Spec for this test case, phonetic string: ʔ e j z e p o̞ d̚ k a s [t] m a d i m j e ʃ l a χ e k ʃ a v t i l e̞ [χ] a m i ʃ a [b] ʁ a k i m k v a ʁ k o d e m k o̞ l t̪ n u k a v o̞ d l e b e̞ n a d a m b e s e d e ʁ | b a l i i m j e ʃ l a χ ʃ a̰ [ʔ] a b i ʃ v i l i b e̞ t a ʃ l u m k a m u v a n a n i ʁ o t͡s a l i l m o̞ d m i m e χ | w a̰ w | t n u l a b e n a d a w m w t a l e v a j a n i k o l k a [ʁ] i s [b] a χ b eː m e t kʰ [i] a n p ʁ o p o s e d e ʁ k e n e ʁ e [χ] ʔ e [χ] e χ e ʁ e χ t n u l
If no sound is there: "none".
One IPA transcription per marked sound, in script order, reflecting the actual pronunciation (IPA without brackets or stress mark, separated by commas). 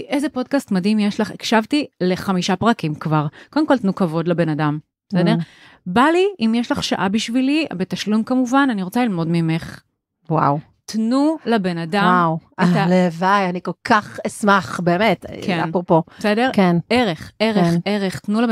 t, χ, p, ʔ, χ, m, e, χ, ʁ